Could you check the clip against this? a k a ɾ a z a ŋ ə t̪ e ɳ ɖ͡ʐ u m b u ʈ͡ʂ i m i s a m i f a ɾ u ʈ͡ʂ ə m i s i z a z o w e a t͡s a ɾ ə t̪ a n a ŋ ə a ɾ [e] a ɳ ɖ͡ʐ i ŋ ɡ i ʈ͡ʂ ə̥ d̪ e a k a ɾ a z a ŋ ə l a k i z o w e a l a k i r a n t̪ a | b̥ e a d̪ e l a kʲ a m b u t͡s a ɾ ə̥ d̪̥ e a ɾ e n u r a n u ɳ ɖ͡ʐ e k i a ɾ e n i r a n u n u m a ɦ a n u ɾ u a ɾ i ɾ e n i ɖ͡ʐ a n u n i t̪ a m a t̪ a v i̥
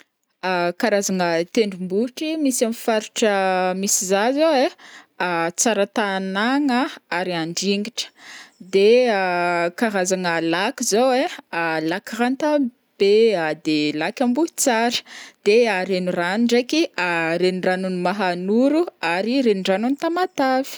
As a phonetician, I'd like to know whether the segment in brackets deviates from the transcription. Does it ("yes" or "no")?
yes